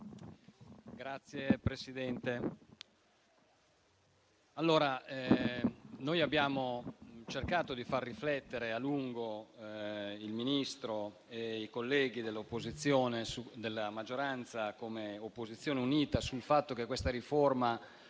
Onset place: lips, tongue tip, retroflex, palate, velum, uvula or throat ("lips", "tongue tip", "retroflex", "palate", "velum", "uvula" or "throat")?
velum